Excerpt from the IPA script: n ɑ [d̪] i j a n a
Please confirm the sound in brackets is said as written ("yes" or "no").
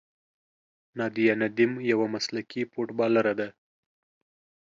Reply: yes